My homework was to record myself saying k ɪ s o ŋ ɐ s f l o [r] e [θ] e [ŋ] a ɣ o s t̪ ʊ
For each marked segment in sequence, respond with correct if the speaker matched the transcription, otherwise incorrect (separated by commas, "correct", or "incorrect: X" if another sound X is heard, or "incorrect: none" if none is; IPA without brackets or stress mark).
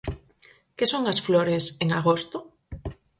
incorrect: ɾ, incorrect: s, correct